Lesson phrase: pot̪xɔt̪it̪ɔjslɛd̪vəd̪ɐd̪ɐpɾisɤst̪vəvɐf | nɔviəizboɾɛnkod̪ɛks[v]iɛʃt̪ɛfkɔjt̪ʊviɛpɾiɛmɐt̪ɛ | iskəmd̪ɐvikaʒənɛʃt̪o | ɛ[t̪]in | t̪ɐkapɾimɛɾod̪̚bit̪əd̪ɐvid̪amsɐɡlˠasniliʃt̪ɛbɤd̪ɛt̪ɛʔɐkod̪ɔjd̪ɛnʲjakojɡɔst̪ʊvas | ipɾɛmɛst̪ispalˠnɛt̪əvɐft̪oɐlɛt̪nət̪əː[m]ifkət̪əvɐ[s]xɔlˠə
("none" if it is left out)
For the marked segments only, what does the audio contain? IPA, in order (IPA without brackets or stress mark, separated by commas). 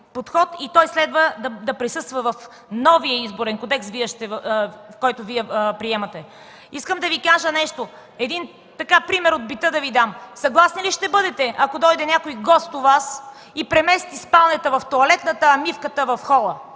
v, d̪, m, f